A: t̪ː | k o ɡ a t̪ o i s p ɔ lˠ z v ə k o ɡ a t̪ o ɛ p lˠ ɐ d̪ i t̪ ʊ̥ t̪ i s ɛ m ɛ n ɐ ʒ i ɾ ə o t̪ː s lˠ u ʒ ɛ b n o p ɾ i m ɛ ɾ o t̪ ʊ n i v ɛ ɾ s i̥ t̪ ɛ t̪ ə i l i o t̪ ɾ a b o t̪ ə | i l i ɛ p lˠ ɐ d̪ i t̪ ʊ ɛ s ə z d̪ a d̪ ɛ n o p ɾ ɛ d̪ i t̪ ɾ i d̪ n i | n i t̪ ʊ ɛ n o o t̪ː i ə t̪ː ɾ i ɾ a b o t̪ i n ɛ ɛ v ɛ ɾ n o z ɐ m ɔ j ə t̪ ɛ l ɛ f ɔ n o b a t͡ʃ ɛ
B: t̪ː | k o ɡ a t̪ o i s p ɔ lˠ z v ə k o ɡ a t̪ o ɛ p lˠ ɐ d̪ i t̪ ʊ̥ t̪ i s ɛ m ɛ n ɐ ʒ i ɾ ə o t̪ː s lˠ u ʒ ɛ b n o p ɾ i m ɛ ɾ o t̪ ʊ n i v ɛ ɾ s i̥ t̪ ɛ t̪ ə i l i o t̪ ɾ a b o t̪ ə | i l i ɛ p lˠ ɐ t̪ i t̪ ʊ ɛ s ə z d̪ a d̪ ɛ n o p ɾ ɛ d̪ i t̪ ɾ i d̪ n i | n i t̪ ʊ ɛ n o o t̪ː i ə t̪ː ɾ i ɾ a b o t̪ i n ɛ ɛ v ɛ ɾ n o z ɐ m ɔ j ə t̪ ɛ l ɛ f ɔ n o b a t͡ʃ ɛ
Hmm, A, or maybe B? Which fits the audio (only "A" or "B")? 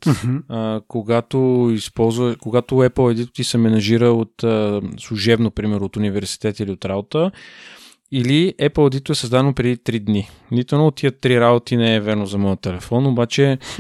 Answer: A